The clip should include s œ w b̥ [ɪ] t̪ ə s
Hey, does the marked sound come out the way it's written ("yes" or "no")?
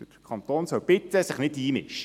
yes